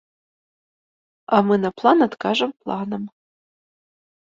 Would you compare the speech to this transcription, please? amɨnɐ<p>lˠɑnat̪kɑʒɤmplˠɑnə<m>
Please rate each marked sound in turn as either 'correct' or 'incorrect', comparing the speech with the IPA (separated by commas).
correct, correct